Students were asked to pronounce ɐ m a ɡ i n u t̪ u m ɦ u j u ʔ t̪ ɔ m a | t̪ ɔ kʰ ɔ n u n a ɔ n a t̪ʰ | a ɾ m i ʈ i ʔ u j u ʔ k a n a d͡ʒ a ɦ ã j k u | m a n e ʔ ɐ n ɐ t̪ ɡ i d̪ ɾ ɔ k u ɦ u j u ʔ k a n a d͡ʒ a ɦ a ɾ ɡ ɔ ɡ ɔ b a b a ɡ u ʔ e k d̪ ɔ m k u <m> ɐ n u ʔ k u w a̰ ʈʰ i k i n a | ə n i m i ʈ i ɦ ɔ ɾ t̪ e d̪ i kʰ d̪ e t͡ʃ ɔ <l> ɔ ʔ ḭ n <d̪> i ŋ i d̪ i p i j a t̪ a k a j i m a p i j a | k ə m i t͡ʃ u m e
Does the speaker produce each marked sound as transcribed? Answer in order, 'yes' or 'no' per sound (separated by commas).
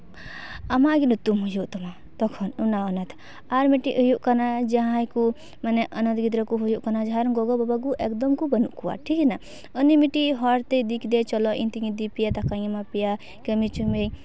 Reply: no, yes, no